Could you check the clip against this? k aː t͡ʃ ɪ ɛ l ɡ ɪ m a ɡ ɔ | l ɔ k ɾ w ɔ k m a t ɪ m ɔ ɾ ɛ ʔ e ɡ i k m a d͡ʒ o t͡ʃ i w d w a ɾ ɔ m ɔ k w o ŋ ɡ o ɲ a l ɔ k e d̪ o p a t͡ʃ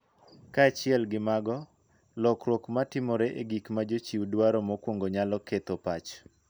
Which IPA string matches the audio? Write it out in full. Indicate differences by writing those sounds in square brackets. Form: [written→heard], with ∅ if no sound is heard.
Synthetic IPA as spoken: k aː t͡ʃ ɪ ɛ l ɡ ɪ m a ɡ ɔ | l ɔ k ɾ w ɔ k m a t ɪ m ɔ ɾ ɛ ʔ e ɡ i k m a d͡ʒ o t͡ʃ i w d w a ɾ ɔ m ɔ k w o ŋ ɡ o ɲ a l ɔ k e [d̪→t̪] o p a t͡ʃ